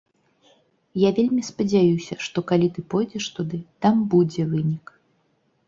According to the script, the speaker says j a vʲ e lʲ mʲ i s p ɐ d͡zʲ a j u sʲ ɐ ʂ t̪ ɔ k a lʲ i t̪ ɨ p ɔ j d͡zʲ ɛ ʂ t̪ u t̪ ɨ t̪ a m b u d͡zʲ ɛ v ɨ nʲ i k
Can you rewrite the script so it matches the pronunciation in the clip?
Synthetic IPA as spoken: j a vʲ e lʲ mʲ i s p ɐ d͡zʲ a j u sʲ ɐ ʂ t̪ ɔ k a lʲ i t̪ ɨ p ɔ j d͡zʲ ɛ ʂ t̪ u d̪ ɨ t̪ a m b u d͡zʲ ɛ v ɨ nʲ i k

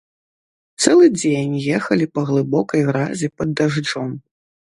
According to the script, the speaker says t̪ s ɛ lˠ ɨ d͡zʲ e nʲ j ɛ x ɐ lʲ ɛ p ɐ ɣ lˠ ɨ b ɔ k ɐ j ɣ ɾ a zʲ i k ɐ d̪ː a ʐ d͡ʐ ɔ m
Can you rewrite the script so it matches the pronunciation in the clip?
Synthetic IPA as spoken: t̪ s ɛ lˠ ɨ d͡zʲ e nʲ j ɛ x ɐ lʲ i p ɐ ɣ lˠ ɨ b ɔ k ɐ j ɣ ɾ a zʲ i p ɐ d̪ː a ʐ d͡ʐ ɔ m

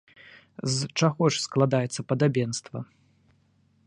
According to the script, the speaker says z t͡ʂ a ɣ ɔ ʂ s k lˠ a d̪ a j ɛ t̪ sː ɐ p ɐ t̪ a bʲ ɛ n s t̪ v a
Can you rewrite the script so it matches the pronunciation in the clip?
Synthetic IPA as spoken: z t͡ʂ a ɣ ɔ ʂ s k lˠ a d̪ a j ɛ t̪ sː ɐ p ɐ d̪ a bʲ ɛ n s t̪ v ɐ

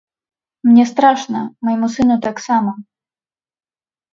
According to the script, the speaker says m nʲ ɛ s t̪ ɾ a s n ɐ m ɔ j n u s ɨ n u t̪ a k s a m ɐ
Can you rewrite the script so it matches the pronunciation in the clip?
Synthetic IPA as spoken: m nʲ ɛ s t̪ ɾ a ʂ n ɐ m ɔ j m u s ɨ n u t̪ a k s a m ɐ

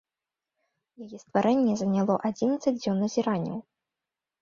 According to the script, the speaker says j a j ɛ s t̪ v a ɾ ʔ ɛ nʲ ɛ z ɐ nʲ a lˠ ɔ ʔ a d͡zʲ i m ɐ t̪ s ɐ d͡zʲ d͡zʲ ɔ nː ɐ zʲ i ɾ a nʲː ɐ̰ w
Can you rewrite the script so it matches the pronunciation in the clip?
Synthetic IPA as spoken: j a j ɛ s t̪ v a ɾ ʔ ɛ nʲː ɛ z ɐ nʲ a lˠ ɔ ʔ a d͡zʲ i n ɐ t̪ s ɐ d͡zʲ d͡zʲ ɔ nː ɐ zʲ i ɾ a nʲː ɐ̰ w

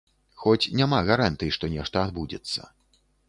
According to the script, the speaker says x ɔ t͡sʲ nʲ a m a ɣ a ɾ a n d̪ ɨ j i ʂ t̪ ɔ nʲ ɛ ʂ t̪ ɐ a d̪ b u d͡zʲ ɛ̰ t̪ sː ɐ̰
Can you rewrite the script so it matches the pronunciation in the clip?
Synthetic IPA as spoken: x ɔ t͡sʲ nʲ a m a ɣ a ɾ a n t̪ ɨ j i ʂ t̪ ɔ nʲ ɛ ʂ t̪ ɐ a d̪ b u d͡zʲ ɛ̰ t̪ sː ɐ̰

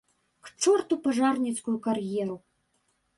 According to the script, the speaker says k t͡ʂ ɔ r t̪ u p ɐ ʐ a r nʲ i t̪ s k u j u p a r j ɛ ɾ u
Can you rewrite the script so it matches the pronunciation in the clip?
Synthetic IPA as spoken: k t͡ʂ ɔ r t̪ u p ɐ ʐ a r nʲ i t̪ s k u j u k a r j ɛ ɾ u

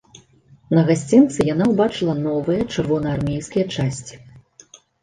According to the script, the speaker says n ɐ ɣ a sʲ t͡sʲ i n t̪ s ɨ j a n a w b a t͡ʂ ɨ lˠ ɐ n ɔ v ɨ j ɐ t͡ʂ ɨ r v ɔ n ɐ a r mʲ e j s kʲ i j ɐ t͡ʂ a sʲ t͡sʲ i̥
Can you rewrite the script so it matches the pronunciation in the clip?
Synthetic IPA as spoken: n ɐ ɣ a sʲ t͡sʲ i n t̪ s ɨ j a n a w b a t͡ʂ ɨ lˠ ɐ n ɔ v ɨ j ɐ t͡ʂ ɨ r v ɔ n ɐ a r mʲ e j s kʲ i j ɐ t͡ʂ a sʲ t͡sʲ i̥

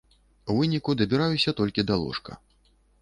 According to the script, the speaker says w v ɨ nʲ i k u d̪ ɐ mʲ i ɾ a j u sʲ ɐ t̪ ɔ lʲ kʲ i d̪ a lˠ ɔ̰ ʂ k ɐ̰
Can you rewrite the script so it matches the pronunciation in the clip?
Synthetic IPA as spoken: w v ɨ nʲ i k u d̪ ɐ bʲ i ɾ a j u sʲ ɐ t̪ ɔ lʲ kʲ i d̪ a lˠ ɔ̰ ʂ k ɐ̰

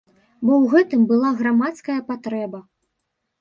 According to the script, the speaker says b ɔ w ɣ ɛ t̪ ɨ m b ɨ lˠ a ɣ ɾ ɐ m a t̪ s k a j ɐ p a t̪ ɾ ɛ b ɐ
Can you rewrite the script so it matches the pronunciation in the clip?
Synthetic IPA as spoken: b ɔ w ɣ ɛ t̪ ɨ m b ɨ lˠ a ɣ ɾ a m a t̪ s k ɐ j ɐ p a t̪ ɾ ɛ b ɐ

